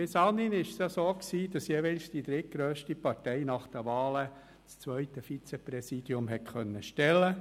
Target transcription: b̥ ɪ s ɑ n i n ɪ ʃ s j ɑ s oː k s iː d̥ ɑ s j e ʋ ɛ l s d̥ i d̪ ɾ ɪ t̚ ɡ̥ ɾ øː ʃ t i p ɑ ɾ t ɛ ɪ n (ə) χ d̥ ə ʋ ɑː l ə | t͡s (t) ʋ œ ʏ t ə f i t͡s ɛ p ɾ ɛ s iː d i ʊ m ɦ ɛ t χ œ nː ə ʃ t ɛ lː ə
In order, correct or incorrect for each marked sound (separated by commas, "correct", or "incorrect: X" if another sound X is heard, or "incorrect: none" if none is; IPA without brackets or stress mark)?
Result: incorrect: ɑ, incorrect: t͡s